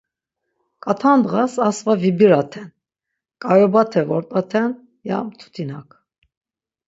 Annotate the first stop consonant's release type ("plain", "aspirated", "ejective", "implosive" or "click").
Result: ejective